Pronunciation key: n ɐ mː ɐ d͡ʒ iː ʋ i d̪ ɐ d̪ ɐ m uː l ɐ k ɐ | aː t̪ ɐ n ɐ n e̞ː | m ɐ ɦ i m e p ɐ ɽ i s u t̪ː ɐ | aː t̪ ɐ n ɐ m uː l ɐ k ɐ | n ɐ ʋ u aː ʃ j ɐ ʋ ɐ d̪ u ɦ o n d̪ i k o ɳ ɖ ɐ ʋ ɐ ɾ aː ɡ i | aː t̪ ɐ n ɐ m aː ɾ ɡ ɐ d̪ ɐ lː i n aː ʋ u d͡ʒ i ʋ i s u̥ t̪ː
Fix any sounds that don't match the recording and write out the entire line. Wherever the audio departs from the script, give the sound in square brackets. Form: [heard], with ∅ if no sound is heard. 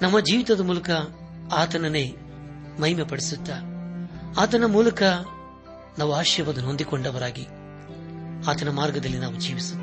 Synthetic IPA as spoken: n ɐ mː ɐ d͡ʒ iː ʋ i [t̪] ɐ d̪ ɐ m uː l ɐ k ɐ | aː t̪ ɐ n ɐ n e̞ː | m ɐ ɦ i m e p ɐ ɽ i s u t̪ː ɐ | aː t̪ ɐ n ɐ m uː l ɐ k ɐ | n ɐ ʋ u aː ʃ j ɐ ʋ ɐ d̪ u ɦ o n d̪ i k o ɳ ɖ ɐ ʋ ɐ ɾ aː ɡ i | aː t̪ ɐ n ɐ m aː ɾ ɡ ɐ d̪ ɐ lː i n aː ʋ u d͡ʒ [iː] ʋ i s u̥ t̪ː